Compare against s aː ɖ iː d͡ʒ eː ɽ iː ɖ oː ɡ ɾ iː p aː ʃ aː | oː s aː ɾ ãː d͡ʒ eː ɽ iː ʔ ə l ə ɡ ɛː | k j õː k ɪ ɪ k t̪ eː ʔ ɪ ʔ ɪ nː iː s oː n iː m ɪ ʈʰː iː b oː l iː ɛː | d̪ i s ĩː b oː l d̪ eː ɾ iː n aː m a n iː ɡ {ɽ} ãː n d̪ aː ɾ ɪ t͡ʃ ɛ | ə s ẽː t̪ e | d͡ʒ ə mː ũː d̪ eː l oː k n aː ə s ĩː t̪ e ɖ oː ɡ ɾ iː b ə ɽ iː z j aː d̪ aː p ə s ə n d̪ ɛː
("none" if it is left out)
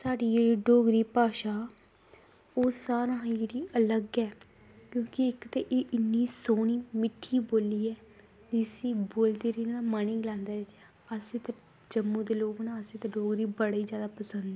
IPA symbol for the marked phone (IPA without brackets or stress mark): l